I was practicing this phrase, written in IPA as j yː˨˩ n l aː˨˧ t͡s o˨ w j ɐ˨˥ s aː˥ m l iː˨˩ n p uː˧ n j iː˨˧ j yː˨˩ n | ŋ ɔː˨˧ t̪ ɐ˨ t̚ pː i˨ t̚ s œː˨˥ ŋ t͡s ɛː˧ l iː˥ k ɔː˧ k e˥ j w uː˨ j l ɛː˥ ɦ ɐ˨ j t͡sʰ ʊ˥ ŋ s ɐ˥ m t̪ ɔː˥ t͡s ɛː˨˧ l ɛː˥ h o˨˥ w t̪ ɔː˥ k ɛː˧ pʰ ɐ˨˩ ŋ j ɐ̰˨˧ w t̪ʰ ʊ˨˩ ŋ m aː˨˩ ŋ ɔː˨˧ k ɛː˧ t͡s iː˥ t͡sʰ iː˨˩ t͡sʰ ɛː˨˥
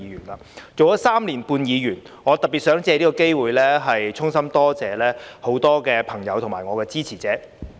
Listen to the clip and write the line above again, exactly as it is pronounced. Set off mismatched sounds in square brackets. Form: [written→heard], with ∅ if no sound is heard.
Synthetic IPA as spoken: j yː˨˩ n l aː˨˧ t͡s o˨ w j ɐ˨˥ s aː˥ m l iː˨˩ n p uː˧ n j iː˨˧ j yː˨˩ n | ŋ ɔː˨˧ t̪ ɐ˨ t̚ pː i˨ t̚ s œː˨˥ ŋ t͡s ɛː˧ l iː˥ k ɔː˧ k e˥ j w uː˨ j l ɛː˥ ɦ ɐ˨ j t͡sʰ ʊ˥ ŋ s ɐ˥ m t̪ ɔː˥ t͡s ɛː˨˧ l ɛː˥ h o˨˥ w t̪ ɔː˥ k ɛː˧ pʰ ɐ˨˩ ŋ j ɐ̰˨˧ w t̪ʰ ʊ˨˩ ŋ m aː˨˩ ŋ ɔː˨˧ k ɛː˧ t͡s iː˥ t͡sʰ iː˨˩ [t͡sʰ→t͡s] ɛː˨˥